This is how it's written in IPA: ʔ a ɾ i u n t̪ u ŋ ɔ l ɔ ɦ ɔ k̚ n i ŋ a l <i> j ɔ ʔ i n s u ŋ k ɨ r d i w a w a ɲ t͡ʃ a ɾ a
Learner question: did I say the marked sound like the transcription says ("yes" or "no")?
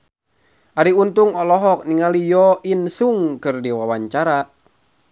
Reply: yes